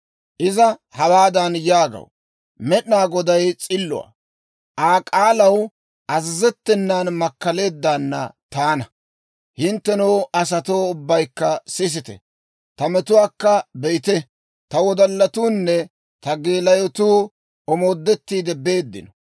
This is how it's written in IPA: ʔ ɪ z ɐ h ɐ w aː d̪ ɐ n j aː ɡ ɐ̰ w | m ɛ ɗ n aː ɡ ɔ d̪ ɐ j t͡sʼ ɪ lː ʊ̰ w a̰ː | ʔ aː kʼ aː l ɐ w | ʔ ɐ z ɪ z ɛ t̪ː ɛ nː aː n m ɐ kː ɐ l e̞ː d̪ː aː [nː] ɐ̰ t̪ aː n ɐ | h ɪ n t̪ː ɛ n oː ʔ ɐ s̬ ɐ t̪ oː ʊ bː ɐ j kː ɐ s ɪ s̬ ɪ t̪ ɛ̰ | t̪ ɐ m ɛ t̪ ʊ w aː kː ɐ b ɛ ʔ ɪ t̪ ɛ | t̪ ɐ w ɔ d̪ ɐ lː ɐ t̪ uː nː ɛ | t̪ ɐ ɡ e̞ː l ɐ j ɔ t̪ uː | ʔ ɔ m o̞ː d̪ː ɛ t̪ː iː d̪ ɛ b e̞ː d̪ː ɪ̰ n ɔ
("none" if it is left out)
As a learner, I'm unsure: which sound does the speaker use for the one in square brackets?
nː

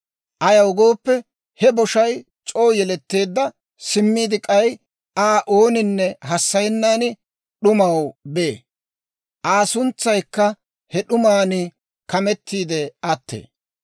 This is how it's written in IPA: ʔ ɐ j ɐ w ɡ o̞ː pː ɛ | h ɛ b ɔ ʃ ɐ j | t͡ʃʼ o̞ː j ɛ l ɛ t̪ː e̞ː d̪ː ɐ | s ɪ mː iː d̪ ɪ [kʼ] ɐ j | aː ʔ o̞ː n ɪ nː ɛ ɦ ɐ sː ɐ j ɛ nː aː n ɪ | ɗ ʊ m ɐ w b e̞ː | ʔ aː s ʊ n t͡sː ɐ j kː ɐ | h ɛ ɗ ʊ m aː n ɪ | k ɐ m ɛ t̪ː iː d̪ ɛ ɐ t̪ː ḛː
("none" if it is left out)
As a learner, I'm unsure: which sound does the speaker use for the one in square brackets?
kʼ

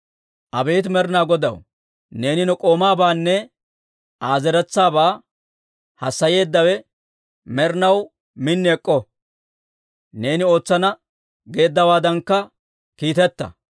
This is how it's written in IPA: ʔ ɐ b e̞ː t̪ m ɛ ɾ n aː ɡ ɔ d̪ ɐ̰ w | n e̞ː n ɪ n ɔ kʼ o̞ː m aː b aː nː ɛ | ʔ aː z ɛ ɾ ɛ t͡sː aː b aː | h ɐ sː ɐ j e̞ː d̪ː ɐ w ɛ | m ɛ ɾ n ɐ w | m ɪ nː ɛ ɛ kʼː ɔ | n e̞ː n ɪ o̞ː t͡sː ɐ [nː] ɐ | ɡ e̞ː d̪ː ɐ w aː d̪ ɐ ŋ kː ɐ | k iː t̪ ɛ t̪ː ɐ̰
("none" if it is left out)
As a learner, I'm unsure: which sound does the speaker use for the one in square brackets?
n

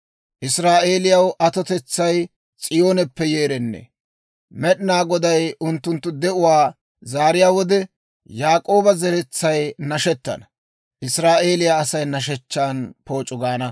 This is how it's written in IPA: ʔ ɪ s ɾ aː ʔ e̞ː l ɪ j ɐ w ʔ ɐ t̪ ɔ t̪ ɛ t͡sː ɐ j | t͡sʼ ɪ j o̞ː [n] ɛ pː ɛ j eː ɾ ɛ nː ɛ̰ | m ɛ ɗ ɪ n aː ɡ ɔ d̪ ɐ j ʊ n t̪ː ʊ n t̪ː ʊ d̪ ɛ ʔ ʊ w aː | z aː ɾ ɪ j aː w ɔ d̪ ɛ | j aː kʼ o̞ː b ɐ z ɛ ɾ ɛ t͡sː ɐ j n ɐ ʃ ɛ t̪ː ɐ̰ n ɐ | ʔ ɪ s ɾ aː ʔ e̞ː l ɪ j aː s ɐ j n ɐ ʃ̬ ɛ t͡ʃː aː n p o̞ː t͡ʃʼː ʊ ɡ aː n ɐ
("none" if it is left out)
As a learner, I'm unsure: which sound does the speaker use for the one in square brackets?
n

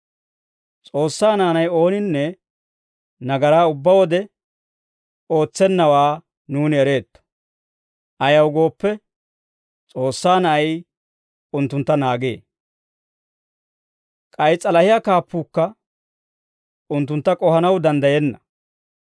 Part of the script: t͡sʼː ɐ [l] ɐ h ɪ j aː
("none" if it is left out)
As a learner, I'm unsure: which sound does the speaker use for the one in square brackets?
l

